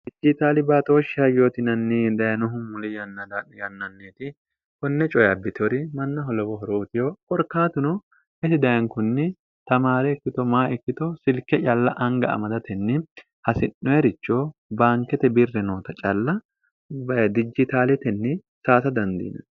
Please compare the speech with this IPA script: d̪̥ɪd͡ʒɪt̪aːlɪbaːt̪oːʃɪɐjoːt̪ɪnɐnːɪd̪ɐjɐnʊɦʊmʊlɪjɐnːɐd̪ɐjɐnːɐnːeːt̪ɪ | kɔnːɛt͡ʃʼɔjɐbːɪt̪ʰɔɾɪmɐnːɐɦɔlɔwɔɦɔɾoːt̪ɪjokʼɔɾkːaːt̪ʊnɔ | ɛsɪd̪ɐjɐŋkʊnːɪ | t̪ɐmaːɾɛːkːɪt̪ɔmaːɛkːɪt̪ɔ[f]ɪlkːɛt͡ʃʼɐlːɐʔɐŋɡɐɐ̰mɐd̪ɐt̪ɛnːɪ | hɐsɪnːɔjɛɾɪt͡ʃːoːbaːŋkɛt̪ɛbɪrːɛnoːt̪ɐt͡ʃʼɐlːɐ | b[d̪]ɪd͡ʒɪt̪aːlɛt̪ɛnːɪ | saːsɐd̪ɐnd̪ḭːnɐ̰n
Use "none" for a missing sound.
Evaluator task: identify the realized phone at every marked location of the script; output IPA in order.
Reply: s, d̪

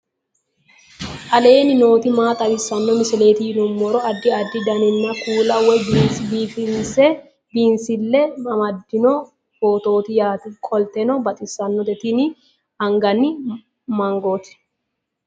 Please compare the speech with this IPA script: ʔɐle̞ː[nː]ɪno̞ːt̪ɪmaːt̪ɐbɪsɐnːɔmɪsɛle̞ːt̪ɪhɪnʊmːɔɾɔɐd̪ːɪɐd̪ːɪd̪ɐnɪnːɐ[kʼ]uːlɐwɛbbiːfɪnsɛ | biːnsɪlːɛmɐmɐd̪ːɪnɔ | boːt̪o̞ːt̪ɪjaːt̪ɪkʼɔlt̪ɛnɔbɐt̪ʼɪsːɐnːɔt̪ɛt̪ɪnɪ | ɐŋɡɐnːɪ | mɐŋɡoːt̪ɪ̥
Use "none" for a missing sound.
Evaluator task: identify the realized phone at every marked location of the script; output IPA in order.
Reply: n, k

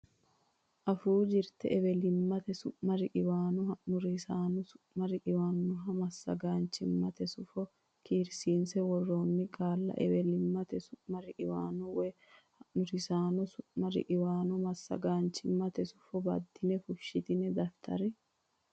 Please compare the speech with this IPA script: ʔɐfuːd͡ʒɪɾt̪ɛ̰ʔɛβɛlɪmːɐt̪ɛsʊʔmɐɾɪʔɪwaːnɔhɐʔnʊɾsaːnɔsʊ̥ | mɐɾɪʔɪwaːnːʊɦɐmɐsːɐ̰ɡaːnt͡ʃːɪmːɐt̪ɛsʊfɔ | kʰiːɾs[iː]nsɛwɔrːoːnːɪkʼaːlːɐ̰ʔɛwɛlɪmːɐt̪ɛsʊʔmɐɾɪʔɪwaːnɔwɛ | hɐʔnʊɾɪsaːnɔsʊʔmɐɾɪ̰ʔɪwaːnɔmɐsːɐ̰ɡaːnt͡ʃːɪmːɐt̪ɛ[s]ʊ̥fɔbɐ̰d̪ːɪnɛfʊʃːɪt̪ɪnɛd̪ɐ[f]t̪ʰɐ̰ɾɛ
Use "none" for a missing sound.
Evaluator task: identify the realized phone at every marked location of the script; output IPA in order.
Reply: iː, s, f

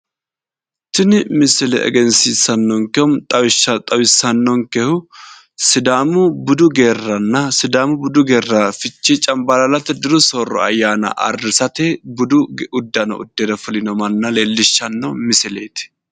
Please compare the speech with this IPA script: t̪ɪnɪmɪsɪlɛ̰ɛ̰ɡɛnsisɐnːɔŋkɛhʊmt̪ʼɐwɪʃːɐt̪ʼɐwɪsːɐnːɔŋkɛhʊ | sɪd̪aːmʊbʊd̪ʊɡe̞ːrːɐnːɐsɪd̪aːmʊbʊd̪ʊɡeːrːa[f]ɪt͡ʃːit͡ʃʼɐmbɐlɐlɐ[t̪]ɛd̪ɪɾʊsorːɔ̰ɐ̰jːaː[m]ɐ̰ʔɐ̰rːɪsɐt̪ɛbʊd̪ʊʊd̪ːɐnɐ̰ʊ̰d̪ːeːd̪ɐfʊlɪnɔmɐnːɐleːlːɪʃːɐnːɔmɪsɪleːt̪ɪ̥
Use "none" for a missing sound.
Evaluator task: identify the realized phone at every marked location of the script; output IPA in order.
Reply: f, t̪, n

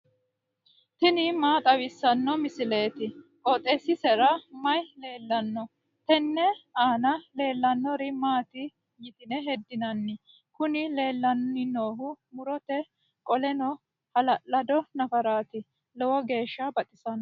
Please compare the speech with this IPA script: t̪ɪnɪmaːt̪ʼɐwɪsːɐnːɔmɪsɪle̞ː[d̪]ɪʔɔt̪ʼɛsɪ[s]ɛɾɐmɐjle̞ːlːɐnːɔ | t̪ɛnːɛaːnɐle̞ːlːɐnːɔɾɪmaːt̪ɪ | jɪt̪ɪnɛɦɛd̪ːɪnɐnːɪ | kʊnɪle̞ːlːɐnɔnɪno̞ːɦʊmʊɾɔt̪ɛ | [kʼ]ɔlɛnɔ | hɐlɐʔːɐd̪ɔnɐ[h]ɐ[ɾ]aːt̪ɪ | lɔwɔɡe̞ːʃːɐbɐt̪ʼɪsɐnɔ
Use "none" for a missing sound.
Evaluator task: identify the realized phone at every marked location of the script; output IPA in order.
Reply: t̪, s, kʼ, f, ɾ

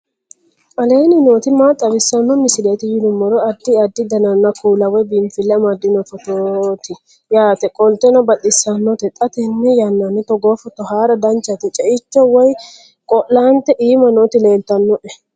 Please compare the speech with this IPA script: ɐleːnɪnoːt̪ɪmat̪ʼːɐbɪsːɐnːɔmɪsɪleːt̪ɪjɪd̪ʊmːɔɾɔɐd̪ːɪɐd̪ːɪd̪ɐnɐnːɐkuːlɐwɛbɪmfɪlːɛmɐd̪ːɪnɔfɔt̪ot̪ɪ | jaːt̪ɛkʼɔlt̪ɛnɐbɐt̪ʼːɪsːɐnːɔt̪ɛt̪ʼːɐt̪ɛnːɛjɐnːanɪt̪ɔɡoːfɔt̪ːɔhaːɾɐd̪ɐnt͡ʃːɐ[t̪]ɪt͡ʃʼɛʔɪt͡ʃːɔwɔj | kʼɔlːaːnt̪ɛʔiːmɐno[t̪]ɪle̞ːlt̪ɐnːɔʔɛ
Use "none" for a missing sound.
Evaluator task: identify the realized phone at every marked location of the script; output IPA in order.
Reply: t̪, t̪

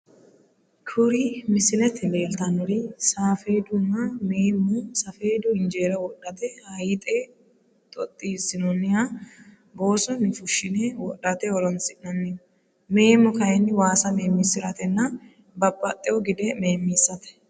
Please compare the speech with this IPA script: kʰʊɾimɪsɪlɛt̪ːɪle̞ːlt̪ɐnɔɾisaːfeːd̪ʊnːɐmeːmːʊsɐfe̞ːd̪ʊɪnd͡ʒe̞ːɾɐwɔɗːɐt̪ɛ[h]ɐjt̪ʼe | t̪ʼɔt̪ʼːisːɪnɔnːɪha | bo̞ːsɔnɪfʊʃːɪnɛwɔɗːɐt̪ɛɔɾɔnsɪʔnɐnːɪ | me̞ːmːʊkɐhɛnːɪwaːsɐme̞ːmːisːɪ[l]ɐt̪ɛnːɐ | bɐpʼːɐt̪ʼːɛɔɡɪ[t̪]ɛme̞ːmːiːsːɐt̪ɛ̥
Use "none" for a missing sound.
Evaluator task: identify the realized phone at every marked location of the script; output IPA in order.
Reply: h, ɾ, d̪

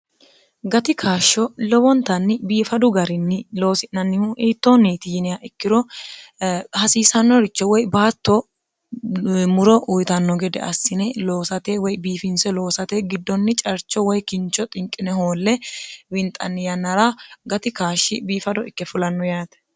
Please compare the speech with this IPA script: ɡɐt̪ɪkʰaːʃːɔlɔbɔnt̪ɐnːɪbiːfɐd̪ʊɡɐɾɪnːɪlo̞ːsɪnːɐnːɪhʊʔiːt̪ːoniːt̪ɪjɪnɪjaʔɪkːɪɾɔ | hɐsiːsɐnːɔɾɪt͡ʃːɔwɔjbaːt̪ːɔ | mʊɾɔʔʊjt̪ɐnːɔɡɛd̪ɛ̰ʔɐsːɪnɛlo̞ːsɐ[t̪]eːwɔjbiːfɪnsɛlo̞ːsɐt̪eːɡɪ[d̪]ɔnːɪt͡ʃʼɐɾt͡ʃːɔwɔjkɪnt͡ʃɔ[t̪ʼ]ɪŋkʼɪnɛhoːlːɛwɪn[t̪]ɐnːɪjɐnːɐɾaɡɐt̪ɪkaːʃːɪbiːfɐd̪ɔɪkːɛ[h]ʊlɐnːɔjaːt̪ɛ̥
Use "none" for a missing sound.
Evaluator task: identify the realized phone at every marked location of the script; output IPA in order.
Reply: t̪, d̪ː, t̪ʼ, t̪ʼ, f

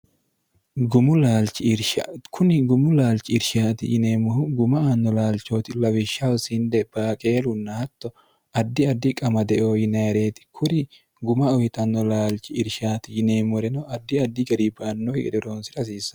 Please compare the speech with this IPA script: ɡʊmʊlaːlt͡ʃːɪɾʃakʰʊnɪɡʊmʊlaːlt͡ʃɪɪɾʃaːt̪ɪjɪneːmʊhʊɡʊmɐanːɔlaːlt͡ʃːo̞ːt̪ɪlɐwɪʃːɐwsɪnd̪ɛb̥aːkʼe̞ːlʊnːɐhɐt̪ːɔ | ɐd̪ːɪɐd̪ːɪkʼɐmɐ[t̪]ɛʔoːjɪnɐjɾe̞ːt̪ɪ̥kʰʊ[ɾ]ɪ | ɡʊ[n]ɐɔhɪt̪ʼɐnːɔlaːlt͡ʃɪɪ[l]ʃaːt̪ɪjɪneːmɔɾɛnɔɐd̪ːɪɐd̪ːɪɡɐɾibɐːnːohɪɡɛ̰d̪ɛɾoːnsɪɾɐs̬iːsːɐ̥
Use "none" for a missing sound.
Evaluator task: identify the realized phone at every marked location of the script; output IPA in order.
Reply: d̪, ɾ, m, ɾ

